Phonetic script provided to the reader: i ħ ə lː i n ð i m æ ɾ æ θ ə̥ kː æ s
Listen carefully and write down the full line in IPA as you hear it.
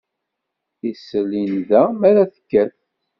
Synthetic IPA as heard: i s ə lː i n ð æ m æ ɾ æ θ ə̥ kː æ θ